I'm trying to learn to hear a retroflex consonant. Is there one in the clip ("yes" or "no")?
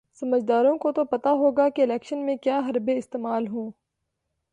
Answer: no